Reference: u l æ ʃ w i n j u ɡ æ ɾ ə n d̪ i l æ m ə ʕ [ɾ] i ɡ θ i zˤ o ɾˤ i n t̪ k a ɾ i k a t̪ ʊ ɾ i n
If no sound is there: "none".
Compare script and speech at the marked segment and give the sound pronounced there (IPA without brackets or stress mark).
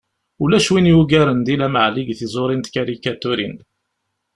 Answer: l